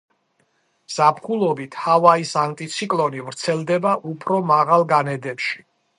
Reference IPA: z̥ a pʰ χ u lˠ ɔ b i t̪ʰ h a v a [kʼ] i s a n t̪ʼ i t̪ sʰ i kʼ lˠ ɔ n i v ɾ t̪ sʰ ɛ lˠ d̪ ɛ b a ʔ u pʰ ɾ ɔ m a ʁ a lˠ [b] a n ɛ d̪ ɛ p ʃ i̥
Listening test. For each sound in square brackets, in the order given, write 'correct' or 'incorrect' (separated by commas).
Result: incorrect, incorrect